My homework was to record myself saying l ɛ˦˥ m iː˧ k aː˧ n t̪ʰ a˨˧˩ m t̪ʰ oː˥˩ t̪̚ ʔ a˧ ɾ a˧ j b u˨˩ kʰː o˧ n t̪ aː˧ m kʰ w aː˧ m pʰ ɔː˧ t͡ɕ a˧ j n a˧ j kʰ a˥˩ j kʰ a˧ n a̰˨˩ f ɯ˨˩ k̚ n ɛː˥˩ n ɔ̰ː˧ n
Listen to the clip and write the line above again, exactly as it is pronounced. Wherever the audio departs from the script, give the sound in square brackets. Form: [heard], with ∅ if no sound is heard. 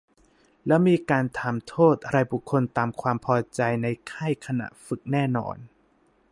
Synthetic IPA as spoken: l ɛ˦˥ m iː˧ k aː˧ n t̪ʰ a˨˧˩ m t̪ʰ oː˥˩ t̪̚ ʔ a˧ ɾ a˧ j b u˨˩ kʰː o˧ n t̪ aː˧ m kʰ w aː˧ m pʰ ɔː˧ t͡ɕ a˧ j n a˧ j kʰ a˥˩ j kʰ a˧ n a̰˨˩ f ɯ˨˩ k̚ n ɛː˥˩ n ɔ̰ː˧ n